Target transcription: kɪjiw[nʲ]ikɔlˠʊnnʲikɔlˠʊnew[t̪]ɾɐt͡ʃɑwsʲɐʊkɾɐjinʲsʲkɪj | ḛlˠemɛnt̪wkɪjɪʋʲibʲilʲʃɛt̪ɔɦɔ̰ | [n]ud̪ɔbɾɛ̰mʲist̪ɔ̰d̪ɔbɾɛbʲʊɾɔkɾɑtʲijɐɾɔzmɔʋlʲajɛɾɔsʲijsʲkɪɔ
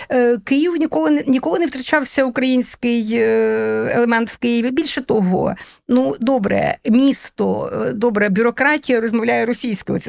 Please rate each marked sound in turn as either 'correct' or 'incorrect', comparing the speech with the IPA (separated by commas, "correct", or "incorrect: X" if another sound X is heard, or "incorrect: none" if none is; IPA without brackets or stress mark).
correct, correct, correct